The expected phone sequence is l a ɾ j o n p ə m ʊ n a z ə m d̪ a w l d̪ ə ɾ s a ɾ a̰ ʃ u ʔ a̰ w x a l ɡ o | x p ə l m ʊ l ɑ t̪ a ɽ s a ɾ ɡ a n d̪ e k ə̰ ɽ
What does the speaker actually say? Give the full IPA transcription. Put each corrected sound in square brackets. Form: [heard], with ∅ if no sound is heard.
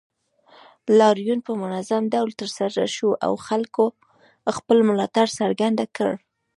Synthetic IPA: l [ɑ] ɾ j [u] n p ə m ʊ n a z [a] m d̪ a w l [t̪] ə ɾ s a ɾ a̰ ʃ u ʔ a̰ w x a l [k] o | x p ə l m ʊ l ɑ t̪ a ɽ s a ɾ ɡ a n d̪ [a] k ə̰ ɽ